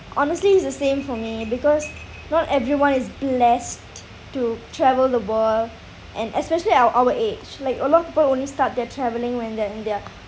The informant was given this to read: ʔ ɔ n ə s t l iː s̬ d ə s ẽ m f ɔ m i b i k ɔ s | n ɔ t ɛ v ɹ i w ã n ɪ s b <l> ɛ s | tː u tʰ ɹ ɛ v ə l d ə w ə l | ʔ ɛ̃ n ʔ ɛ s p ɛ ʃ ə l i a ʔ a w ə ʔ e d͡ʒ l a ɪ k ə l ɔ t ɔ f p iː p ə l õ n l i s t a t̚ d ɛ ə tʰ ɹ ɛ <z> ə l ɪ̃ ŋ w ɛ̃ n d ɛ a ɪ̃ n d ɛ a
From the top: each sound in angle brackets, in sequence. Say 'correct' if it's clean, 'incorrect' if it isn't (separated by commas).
correct, incorrect